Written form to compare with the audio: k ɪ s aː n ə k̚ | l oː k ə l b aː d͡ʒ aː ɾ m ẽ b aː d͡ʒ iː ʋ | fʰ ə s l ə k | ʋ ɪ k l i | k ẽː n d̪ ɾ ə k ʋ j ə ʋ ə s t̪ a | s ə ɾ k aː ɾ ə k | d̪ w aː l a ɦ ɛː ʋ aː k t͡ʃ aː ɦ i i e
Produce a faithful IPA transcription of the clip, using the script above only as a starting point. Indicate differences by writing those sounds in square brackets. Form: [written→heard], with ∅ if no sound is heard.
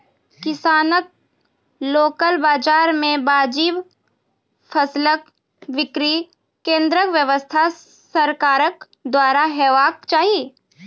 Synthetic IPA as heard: k ɪ s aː n ə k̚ | l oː k ə l b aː d͡ʒ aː ɾ m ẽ b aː d͡ʒ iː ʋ | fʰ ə s l ə k | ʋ ɪ k [l→ɾ] i | k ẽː n d̪ ɾ ə k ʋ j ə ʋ ə s [t̪→t̪ʰ] a | s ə ɾ k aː ɾ ə k | d̪ w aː [l→ɾ] a ɦ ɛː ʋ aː k t͡ʃ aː ɦ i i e